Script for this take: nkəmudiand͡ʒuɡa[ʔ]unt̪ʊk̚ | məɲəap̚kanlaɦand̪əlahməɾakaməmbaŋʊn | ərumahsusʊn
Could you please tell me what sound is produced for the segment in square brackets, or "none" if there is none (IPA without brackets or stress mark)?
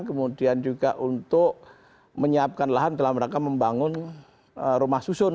ʔ